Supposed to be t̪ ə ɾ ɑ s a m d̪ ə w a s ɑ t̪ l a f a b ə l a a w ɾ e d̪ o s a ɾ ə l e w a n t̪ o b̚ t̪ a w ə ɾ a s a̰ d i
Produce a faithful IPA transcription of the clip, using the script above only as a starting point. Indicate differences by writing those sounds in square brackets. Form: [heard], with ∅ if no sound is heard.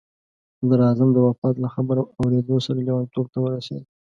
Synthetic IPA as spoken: [d̪] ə ɾ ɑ [z] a m d̪ ə w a [f] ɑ t̪ l a [x] a b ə [ɾ] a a w ɾ e d̪ o s a ɾ [a] l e w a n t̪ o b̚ t̪ a w ə ɾ a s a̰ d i